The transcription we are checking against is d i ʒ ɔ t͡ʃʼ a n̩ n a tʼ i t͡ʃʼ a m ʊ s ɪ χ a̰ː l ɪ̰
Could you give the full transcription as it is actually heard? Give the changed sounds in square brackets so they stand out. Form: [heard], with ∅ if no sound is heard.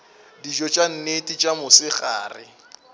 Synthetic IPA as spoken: d i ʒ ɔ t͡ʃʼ a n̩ n [e] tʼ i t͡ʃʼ a m ʊ s ɪ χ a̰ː [r] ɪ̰